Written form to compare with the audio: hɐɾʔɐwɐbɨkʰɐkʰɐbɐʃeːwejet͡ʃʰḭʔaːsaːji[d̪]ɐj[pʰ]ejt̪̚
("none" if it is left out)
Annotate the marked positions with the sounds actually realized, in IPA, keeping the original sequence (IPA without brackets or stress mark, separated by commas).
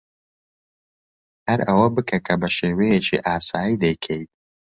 d̪, kʰ